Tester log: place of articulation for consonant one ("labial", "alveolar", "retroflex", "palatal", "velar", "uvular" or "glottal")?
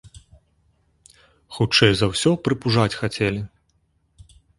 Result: velar